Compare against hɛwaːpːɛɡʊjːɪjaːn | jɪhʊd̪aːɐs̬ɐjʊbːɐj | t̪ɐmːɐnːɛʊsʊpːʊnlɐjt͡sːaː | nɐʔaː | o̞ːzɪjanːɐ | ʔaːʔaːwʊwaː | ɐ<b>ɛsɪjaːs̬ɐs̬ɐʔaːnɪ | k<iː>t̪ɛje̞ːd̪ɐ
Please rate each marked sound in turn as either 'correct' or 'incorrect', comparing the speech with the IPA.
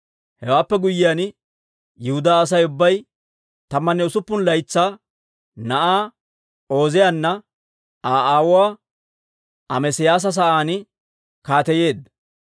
incorrect, incorrect

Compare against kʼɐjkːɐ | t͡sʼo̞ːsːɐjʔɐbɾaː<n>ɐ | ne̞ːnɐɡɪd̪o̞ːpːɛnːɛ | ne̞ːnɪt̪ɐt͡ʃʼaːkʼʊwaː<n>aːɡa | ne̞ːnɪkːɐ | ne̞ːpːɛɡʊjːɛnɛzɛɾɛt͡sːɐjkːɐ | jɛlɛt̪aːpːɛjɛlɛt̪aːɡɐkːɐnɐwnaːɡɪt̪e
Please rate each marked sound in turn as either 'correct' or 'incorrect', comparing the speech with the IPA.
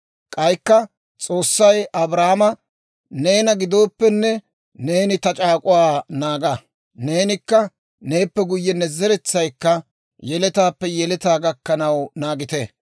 incorrect, correct

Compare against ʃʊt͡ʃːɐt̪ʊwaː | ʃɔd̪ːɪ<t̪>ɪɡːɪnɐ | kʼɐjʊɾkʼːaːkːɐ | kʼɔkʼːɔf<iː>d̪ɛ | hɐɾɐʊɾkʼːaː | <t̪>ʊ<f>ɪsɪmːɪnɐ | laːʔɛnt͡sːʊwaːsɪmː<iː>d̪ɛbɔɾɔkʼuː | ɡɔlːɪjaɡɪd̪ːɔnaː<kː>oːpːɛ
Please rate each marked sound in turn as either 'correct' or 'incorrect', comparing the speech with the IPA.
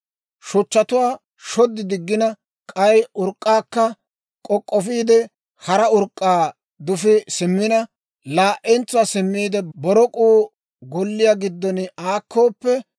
incorrect, correct, incorrect, correct, correct, correct

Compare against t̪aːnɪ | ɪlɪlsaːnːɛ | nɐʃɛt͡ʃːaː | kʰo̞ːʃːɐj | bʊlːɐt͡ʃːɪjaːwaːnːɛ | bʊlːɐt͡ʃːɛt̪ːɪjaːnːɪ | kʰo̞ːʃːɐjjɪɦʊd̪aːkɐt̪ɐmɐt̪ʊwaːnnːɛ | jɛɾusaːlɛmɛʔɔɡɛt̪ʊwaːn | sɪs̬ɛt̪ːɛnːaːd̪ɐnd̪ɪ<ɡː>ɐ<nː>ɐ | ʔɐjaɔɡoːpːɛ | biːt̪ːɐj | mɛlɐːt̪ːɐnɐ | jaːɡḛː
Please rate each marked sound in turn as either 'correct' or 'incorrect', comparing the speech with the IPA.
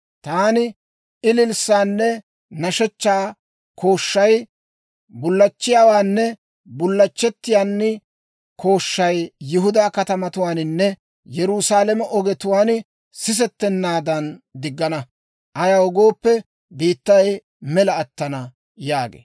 correct, incorrect

